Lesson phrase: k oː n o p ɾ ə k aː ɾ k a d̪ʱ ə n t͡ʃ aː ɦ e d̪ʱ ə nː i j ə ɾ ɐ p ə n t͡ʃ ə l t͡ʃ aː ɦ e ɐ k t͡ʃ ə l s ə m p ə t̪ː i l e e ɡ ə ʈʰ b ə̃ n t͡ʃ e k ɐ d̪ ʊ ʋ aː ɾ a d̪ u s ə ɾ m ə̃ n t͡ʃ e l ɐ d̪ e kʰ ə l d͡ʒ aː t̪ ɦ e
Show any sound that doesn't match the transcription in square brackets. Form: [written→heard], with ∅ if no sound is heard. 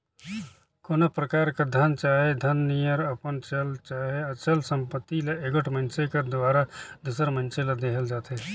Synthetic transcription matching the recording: k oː n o p ɾ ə k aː ɾ k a d̪ʱ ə n t͡ʃ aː ɦ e d̪ʱ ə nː i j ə ɾ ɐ p ə n t͡ʃ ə l t͡ʃ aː ɦ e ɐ [k→∅] t͡ʃ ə l s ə m p ə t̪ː i l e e ɡ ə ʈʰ [b→m] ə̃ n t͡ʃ e k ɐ d̪ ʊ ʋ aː ɾ a d̪ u s ə ɾ m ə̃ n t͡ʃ e l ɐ d̪ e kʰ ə l d͡ʒ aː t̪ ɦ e